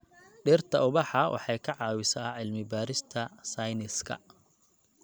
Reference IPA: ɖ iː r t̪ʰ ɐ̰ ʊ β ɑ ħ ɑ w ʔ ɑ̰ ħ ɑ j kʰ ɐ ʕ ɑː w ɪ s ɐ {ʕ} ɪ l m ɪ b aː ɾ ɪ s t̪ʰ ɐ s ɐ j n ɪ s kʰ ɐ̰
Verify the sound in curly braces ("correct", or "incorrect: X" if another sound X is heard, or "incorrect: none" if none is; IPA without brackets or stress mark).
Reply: correct